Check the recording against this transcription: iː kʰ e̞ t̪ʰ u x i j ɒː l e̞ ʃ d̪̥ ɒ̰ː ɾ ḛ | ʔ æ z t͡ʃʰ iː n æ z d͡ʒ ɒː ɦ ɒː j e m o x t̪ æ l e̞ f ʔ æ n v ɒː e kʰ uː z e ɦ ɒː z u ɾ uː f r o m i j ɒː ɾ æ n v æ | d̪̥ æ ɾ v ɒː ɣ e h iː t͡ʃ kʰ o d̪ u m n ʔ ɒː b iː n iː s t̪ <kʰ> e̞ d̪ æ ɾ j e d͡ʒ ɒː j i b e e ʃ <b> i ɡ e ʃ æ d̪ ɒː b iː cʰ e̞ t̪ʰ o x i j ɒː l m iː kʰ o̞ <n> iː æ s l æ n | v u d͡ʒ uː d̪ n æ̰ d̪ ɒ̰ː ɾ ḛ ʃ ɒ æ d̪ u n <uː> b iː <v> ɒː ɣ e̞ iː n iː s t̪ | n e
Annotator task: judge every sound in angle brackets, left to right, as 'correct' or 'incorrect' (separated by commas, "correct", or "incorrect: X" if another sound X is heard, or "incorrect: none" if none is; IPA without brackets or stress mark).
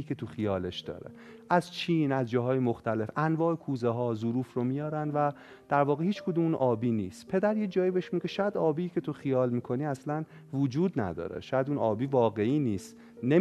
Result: incorrect: pʰ, incorrect: m, correct, incorrect: ɒː, correct